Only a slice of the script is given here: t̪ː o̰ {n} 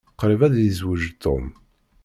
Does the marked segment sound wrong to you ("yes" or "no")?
yes